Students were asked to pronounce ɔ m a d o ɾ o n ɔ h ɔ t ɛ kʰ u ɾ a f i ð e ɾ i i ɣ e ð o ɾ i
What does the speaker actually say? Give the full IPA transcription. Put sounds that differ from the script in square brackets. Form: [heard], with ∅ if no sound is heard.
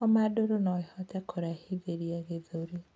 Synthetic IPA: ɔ m a d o ɾ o n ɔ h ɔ t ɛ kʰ [o] ɾ a [h] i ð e ɾ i [a] ɣ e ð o ɾ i